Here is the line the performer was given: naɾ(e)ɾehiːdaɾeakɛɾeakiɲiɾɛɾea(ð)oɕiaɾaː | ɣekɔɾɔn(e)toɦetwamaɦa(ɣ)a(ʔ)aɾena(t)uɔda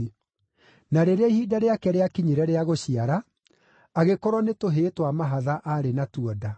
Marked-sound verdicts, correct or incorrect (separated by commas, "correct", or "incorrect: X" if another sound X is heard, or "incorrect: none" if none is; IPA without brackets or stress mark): correct, incorrect: ɣ, correct, incorrect: ð, correct, correct